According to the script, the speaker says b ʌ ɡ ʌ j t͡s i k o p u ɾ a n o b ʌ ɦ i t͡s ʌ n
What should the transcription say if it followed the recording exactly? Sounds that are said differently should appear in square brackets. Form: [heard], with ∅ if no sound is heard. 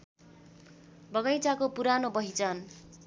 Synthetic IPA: b ʌ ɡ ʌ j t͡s [a] k o p u ɾ a n o b ʌ ɦ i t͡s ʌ n